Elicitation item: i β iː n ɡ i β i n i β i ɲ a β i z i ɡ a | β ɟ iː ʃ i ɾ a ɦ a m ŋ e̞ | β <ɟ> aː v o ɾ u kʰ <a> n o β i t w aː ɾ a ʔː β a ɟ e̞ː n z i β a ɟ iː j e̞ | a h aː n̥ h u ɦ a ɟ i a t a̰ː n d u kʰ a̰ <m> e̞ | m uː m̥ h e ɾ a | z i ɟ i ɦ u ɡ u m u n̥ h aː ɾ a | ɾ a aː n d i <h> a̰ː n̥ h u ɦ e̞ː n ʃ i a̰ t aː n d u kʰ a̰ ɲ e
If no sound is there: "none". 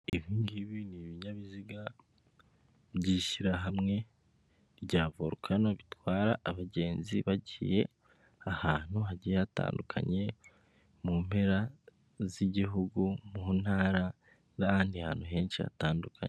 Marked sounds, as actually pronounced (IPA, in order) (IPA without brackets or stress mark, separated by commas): ɟ, a, ɲ, h